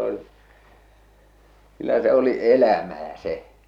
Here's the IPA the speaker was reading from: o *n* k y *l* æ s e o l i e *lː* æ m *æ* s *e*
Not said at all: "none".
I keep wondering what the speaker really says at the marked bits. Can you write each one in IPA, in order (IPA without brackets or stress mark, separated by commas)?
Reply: n, lː, l, æː, e